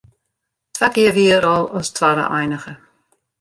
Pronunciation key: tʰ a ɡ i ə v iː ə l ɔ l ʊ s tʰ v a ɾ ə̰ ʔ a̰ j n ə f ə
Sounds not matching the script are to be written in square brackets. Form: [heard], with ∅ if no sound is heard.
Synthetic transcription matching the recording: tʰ a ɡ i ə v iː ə [ɾ] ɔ l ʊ s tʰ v a ɾ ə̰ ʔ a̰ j n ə [x] ə

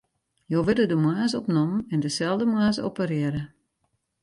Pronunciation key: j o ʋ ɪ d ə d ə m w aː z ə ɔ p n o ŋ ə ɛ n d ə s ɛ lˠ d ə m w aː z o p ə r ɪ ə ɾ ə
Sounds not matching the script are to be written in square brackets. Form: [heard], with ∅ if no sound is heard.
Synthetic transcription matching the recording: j o ʋ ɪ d ə d ə m w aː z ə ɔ p n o [m] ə ɛ n d ə s ɛ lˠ d ə m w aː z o p ə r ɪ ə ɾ ə

